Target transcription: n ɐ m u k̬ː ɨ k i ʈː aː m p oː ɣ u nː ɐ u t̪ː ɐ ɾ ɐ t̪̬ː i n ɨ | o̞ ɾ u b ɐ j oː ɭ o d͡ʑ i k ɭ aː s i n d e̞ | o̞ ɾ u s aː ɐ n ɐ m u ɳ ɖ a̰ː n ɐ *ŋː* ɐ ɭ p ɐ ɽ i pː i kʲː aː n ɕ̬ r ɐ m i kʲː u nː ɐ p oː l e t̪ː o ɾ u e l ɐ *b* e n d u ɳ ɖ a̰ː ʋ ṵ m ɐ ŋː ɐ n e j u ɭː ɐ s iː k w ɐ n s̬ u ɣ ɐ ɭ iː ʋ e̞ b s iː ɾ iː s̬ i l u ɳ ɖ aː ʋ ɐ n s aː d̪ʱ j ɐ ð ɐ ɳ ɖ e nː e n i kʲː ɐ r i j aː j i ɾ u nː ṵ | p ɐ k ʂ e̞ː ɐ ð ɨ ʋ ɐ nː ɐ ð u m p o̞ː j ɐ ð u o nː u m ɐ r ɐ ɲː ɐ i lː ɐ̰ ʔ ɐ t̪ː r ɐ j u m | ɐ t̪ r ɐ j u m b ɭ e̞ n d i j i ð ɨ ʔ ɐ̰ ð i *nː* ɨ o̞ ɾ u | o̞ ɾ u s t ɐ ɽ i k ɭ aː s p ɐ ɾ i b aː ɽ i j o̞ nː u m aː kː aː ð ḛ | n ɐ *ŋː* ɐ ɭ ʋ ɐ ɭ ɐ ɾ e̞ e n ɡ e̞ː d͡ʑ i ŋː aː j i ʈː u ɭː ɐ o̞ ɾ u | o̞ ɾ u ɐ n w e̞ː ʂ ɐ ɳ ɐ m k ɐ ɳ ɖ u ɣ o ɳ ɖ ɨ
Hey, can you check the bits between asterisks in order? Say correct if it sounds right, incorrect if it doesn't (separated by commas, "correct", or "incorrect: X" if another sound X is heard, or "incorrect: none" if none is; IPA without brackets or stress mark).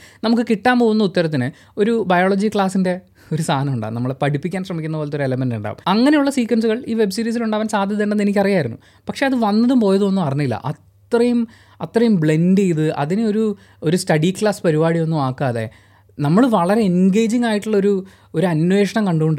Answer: incorrect: mː, incorrect: m, incorrect: n, incorrect: mː